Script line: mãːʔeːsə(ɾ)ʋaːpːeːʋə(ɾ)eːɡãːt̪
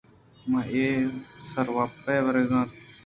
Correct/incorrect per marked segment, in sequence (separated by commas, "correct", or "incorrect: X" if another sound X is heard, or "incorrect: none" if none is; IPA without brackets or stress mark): correct, correct